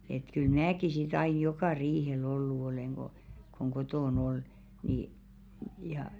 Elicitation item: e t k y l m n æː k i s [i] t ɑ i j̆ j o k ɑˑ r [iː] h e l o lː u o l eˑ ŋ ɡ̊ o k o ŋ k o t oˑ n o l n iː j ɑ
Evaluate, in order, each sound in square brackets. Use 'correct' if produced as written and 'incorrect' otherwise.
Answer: correct, correct

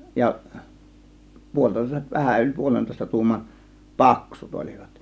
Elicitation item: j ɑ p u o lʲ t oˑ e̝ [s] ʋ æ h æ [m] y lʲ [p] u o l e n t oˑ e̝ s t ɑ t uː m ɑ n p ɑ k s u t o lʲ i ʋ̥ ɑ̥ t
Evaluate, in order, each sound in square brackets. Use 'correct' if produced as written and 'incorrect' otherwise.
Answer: correct, incorrect: n, correct

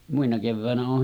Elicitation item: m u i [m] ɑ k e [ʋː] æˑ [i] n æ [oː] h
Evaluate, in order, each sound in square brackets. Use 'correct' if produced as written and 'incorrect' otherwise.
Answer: incorrect: n, correct, incorrect: e, correct

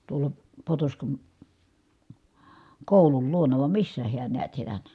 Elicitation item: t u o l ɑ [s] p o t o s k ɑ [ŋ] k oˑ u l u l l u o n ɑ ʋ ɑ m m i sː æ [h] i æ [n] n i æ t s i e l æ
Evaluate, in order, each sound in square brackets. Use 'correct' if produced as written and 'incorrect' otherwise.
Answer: incorrect: none, incorrect: n, correct, correct

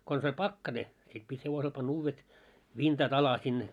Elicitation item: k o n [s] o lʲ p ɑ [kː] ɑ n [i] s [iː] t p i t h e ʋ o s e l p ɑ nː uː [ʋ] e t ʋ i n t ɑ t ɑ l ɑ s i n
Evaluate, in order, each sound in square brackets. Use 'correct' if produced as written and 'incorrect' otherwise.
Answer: correct, correct, incorrect: e, incorrect: i, incorrect: ʋː

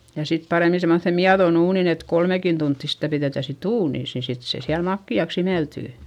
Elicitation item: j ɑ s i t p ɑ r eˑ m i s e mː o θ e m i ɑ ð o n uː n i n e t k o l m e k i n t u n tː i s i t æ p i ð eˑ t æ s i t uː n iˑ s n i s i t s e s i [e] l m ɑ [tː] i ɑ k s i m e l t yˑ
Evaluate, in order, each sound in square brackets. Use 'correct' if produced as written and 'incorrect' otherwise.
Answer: incorrect: æ, incorrect: kː

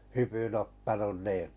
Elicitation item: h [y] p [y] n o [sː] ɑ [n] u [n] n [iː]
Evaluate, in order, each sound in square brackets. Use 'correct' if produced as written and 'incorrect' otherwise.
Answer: correct, correct, incorrect: tː, correct, correct, correct

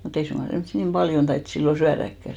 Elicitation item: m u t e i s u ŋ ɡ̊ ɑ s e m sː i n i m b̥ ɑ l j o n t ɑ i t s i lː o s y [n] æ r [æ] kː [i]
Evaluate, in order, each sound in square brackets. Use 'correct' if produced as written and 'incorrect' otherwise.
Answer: incorrect: none, correct, incorrect: æ

